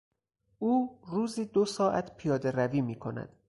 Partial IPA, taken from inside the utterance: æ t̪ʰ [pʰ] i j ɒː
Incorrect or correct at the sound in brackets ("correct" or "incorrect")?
correct